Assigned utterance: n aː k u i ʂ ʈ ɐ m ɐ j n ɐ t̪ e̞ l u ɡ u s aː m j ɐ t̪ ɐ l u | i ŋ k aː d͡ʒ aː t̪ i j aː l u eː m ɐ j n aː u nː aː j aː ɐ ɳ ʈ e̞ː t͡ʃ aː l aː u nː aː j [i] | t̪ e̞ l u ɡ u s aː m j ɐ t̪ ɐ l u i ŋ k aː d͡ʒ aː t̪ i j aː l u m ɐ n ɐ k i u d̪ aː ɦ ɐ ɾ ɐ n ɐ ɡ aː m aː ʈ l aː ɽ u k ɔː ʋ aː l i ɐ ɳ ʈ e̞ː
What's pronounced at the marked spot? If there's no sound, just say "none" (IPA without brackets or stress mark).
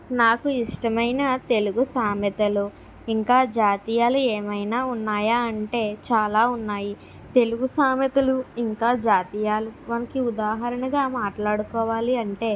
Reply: i